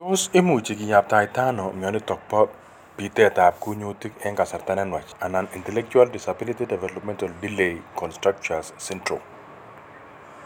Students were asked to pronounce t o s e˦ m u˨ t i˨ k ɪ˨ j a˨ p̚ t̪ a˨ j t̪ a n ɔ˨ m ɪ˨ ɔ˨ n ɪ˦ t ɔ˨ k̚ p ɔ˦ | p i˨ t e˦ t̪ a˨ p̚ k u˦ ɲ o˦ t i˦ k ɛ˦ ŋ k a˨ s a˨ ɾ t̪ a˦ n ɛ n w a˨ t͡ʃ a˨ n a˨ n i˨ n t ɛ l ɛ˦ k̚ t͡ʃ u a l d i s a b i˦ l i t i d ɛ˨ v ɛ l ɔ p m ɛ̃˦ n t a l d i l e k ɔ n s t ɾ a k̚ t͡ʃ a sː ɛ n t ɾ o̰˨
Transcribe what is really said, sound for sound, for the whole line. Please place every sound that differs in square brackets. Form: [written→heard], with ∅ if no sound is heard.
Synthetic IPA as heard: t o s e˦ m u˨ [t→t͡ʃ] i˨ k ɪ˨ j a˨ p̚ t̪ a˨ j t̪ a n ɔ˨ m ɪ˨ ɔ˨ n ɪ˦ t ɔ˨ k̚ p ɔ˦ | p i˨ t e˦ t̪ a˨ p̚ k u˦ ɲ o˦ t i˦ k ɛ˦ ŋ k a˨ s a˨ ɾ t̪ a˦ n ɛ n w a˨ t͡ʃ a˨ n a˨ n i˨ n t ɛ l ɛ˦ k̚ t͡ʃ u a l d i s a b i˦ l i t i d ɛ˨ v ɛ l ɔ p m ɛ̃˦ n t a l d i l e k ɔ n s t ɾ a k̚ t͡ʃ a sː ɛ n t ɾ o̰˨